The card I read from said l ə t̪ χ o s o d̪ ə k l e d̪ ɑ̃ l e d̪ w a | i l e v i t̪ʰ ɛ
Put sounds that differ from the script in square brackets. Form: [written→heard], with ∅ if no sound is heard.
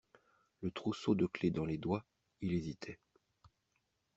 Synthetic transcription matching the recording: l ə t̪ χ [o→u] s o d̪ ə k l e d̪ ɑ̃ l e d̪ w a | i l e [v→z] i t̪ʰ ɛ